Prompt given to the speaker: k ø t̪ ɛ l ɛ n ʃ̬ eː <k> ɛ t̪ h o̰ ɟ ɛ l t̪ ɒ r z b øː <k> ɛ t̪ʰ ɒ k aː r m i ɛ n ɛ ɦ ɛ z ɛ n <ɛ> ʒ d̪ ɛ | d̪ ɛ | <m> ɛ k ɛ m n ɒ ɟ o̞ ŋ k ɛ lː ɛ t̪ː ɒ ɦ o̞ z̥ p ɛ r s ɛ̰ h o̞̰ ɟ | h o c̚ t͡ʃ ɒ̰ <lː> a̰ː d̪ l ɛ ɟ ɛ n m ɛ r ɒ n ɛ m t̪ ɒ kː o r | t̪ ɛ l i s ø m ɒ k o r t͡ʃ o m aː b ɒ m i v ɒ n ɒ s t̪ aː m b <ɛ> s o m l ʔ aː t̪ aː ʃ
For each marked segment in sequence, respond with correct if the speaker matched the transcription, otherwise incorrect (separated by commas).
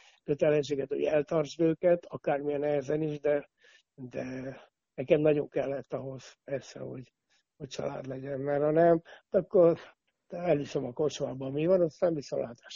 incorrect, correct, incorrect, incorrect, incorrect, incorrect